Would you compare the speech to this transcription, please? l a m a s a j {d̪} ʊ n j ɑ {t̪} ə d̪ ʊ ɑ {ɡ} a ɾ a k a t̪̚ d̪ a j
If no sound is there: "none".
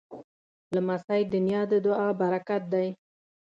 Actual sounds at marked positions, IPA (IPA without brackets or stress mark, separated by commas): d̪, d̪, b